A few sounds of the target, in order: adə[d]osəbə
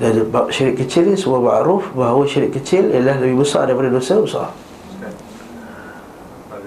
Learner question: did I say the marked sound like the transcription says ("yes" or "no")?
yes